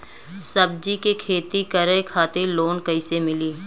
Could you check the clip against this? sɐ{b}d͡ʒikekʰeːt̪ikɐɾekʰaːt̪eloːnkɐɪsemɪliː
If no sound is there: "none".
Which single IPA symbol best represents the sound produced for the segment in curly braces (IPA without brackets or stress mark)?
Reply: b